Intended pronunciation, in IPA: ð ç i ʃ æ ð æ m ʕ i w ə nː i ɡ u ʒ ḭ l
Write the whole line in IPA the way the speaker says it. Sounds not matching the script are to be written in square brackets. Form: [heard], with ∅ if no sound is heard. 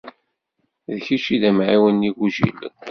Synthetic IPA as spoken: ð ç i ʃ [i] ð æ m ʕ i w ə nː i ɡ u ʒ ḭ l